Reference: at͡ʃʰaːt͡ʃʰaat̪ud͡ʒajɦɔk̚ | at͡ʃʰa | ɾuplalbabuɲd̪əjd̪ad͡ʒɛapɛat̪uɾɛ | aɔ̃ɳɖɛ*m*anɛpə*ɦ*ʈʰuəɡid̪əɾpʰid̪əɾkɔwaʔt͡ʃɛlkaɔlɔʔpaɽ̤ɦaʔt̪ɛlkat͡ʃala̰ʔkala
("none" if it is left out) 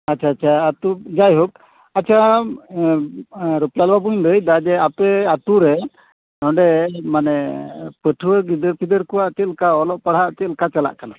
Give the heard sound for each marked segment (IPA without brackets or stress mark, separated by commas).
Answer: m, none